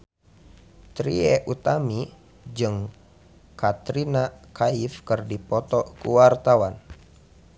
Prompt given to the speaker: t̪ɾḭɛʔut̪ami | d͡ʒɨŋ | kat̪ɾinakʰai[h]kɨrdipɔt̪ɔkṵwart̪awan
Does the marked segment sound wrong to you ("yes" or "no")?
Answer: yes